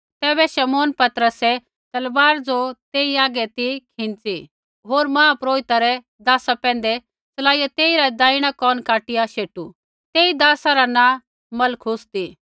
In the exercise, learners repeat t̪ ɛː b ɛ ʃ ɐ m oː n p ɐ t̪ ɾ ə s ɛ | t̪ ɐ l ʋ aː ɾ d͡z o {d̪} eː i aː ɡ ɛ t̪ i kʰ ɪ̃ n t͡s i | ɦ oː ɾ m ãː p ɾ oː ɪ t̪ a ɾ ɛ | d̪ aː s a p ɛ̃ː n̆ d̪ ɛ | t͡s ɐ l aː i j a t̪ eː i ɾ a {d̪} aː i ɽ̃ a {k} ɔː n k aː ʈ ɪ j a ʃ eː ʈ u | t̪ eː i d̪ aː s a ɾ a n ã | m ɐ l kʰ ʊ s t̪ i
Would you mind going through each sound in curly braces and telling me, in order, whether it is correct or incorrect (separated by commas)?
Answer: incorrect, correct, correct